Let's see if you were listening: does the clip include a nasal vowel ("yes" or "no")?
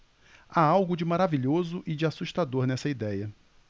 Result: no